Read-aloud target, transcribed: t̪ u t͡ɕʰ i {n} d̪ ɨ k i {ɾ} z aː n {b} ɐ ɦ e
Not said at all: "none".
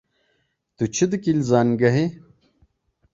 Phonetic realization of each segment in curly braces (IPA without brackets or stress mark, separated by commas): none, l, ɡ